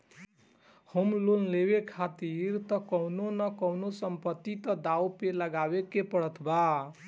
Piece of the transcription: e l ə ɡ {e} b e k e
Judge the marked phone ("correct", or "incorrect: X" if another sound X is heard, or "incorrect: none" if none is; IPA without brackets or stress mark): incorrect: a